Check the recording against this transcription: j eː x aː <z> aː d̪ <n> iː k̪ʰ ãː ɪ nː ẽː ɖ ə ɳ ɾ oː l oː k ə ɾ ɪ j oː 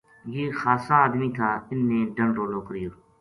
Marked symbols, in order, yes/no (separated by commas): no, no